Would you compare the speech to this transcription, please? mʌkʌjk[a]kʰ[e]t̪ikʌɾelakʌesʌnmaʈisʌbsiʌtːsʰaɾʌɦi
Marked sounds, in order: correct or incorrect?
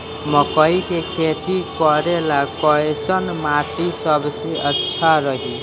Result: incorrect, correct

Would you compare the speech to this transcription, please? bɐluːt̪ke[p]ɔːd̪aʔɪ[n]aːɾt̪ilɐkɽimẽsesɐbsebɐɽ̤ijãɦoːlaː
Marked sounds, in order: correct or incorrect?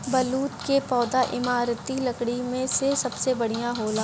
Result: correct, incorrect

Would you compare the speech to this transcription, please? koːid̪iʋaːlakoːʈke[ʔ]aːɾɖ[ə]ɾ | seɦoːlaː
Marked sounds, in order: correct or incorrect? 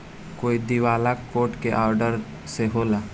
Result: correct, correct

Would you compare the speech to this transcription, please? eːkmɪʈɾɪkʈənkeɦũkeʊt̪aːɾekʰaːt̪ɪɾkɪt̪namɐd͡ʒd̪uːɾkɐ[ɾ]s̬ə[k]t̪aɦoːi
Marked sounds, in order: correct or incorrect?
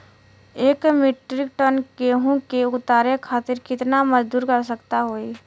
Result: correct, correct

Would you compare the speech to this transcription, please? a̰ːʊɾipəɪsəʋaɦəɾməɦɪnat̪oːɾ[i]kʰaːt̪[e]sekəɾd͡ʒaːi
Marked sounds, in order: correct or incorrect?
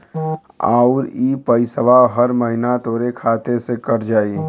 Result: incorrect, correct

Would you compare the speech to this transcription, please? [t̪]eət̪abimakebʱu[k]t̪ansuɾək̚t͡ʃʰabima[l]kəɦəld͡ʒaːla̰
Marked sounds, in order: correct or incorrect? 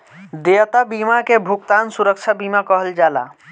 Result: incorrect, correct, incorrect

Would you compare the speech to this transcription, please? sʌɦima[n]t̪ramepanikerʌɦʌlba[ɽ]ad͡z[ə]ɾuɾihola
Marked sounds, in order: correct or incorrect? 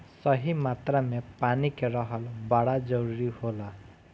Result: incorrect, correct, incorrect

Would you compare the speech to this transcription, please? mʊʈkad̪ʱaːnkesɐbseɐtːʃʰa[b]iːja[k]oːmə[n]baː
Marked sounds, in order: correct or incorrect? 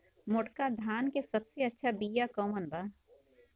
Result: correct, correct, correct

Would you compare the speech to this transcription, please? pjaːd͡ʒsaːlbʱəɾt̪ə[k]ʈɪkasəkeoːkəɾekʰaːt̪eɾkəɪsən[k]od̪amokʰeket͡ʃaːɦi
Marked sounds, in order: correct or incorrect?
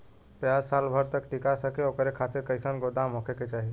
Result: correct, incorrect

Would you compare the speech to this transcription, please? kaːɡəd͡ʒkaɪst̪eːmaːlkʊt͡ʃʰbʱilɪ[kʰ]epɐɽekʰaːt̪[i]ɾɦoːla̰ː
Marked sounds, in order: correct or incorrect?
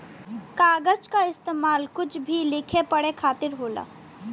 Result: correct, incorrect

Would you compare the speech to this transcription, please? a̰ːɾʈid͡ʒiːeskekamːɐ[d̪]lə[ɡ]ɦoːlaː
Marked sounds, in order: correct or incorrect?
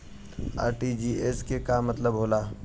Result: incorrect, incorrect

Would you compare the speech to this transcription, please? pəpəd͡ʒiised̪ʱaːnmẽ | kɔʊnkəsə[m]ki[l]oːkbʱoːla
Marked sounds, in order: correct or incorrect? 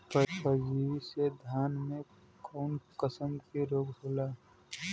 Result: correct, incorrect

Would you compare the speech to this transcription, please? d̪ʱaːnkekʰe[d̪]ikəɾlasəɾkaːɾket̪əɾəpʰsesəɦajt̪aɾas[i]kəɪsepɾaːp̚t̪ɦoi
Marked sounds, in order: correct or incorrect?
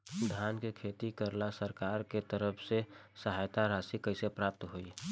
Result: incorrect, correct

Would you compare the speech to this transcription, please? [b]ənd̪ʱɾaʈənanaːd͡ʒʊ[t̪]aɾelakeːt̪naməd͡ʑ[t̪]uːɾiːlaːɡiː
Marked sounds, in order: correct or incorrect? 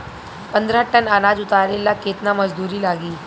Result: incorrect, correct, incorrect

